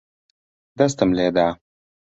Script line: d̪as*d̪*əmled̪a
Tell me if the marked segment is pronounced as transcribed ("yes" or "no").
no